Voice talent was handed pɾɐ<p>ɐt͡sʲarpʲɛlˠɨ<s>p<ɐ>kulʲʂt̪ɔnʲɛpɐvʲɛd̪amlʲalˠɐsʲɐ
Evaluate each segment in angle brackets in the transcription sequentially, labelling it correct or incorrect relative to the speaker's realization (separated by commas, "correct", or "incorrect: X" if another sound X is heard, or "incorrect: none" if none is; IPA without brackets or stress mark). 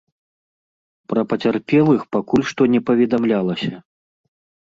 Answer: correct, incorrect: x, incorrect: a